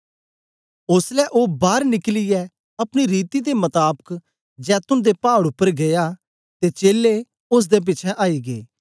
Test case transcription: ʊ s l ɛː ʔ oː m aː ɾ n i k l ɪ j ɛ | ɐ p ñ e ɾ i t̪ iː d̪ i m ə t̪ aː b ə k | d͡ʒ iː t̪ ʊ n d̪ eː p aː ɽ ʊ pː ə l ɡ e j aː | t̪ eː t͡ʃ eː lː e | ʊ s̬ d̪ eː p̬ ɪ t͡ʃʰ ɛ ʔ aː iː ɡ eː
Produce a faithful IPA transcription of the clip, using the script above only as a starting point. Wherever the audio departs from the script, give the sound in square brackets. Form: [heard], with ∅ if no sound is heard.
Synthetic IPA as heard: ʊ s l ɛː ʔ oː [b] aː ɾ n [ɪ] k l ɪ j ɛ | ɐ p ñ [i] ɾ [iː] t̪ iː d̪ [e] m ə t̪ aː b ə k | d͡ʒ [ɛː] t̪ ʊ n d̪ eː p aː ɽ ʊ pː ə [ɾ] ɡ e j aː | t̪ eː t͡ʃ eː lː e | ʊ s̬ d̪ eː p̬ ɪ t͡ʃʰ ɛ ʔ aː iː ɡ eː

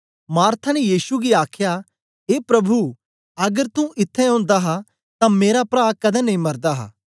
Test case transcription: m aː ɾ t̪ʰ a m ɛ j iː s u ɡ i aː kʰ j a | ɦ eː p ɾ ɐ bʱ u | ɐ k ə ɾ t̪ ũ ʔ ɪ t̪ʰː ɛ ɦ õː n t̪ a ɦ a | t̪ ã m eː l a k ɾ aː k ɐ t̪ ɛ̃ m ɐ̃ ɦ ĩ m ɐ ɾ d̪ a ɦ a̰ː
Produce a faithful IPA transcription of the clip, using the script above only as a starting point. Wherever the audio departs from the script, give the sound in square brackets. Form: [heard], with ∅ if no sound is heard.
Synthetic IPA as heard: m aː ɾ t̪ʰ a [n] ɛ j iː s u ɡ i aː kʰ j a | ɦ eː p ɾ ɐ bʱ u | ɐ [ɡ] ə ɾ t̪ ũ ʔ ɪ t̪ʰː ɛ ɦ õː n [d̪] a ɦ a | t̪ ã m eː [ɾ] a [p] ɾ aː k ɐ [d̪] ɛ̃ [n] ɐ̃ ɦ ĩ m ɐ ɾ d̪ a ɦ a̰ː

